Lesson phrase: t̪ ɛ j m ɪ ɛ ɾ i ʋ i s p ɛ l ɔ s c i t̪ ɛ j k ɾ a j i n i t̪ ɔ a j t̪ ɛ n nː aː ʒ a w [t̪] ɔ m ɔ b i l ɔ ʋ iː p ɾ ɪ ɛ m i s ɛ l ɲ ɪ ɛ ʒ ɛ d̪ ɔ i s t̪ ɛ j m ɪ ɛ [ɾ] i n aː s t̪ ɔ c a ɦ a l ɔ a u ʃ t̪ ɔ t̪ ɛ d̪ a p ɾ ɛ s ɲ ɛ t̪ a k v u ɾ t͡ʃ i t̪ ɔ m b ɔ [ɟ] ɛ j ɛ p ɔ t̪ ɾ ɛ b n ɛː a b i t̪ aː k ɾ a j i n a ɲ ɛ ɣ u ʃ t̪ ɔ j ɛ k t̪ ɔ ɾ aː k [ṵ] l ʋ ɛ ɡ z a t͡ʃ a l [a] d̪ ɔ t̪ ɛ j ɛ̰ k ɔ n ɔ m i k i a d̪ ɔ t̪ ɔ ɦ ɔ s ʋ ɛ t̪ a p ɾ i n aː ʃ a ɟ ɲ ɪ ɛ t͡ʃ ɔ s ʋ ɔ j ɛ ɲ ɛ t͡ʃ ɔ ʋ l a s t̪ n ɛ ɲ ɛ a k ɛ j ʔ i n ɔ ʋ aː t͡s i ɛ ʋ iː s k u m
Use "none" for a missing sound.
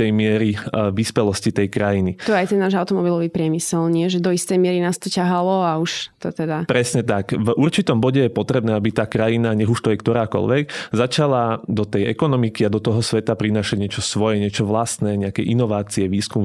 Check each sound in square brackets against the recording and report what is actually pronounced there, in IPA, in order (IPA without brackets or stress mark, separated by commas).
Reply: t̪, ɾ, ɟ, ɔ̰, a